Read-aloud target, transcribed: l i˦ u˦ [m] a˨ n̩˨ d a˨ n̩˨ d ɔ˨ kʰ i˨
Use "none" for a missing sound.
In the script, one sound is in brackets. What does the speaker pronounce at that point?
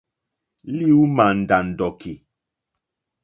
m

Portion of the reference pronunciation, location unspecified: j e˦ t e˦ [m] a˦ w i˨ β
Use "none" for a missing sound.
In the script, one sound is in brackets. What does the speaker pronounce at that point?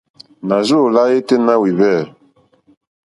n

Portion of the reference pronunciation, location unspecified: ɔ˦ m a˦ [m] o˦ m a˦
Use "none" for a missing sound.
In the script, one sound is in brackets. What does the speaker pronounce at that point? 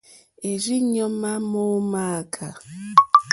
m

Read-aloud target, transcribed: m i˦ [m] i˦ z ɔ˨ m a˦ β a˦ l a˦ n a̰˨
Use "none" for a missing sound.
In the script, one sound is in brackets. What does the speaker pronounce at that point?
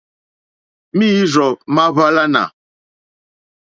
none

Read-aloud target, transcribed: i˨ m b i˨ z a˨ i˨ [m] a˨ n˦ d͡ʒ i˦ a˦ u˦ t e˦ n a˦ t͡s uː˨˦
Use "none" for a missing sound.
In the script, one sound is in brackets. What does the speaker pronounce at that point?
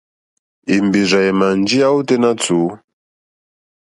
m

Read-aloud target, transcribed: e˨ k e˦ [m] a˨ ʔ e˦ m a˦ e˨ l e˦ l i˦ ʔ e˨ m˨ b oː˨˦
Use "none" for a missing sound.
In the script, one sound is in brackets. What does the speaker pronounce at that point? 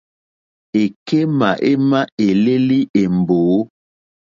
m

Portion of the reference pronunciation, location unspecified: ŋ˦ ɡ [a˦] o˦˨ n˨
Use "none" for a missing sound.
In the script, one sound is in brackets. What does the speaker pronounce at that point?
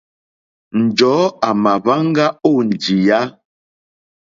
a˦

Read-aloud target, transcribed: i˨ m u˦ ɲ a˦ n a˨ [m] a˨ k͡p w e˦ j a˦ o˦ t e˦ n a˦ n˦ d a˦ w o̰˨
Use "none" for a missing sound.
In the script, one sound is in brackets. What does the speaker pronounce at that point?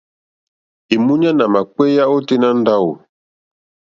m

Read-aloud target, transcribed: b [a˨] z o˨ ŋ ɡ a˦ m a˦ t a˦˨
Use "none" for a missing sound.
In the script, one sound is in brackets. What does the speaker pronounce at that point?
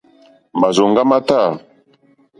a˨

